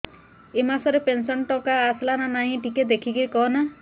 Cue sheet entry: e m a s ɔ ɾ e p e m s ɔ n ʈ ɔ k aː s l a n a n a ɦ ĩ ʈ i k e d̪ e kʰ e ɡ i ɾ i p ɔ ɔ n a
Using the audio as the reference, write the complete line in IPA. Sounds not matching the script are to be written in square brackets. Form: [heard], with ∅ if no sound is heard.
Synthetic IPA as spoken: e m a s ɔ ɾ e p e [n] s ɔ n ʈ ɔ k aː s l a n a n a ɦ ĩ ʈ i k e d̪ e kʰ [i] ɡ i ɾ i [k] ɔ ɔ n a

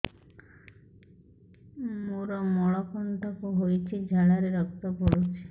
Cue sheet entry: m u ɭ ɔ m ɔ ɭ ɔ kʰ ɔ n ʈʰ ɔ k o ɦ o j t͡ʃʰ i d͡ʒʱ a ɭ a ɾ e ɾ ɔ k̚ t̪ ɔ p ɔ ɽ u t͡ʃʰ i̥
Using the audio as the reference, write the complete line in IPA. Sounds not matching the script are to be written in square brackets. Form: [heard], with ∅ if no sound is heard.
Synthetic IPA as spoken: m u [ɾ] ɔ m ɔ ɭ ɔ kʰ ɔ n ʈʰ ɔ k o ɦ o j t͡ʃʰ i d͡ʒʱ a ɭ a ɾ e ɾ ɔ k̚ t̪ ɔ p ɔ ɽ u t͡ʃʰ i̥

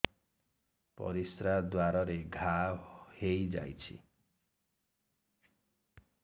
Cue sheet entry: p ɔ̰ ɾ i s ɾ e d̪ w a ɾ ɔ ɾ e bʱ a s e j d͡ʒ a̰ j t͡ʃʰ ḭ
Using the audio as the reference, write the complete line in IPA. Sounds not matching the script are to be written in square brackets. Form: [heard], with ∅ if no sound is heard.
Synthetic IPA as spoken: p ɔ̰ ɾ i s ɾ [a] d̪ w a ɾ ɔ ɾ e [ɡʱ] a [h] e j d͡ʒ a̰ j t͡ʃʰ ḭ

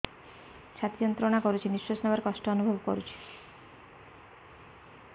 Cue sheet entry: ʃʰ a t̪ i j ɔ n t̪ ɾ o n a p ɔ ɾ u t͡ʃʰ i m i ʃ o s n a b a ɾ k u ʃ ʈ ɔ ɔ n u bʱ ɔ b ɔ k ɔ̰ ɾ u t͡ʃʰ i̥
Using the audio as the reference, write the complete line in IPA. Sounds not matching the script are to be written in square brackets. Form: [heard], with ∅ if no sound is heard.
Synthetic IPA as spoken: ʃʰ a t̪ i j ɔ n t̪ ɾ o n a [k] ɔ ɾ u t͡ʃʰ i [n] i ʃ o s n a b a ɾ k [ɔ] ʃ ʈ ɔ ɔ n u bʱ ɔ b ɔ k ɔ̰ ɾ u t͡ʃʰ i̥

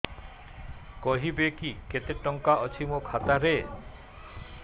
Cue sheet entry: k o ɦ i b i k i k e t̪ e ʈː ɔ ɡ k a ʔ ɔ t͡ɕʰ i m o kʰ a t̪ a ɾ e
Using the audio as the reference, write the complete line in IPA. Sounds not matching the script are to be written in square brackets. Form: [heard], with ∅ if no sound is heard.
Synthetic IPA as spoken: k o ɦ i b [e] k i k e t̪ e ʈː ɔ [ŋ] k a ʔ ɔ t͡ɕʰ i m o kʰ a t̪ a ɾ e

